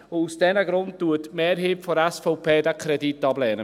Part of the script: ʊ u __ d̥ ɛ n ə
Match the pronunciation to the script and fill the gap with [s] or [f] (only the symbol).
s